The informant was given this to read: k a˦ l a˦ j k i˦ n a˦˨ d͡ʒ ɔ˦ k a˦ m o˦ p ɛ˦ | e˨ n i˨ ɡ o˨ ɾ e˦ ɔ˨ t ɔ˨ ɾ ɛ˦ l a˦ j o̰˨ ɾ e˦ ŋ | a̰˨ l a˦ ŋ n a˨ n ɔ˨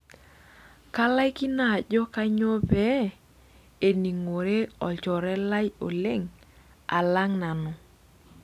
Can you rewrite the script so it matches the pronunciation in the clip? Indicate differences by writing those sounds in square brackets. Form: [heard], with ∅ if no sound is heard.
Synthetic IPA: k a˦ l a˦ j k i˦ n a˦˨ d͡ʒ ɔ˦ k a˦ [ɲ] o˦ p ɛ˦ | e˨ n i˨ [ŋ] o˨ ɾ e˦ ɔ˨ [t͡ʃ] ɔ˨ ɾ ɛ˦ l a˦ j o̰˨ [l] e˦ ŋ | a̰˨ l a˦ ŋ n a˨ n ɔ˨